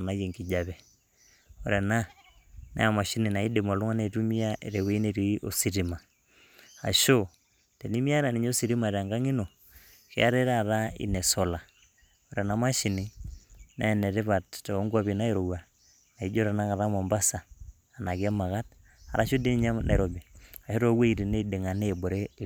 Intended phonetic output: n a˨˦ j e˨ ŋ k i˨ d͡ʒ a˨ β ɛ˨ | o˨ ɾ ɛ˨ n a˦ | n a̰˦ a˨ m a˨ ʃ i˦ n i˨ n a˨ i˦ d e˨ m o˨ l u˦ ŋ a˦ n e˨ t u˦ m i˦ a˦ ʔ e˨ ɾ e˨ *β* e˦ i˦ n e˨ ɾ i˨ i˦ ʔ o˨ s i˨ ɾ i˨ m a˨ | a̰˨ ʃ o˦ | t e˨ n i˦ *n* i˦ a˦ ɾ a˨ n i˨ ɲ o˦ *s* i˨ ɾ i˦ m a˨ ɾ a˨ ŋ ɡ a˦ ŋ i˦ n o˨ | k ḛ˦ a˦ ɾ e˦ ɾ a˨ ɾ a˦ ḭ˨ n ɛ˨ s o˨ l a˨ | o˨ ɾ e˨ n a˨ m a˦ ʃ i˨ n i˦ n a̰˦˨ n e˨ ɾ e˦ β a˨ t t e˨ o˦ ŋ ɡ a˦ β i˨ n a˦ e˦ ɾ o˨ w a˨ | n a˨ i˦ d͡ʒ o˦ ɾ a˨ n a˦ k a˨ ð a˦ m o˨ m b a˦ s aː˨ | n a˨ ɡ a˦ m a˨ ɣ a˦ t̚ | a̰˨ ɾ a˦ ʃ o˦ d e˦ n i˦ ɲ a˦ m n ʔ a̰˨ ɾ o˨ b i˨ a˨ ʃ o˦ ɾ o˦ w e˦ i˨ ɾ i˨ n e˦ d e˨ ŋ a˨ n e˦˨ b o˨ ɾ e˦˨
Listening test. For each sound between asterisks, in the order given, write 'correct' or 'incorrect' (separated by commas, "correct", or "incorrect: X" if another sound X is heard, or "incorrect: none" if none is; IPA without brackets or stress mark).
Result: incorrect: w, incorrect: m, correct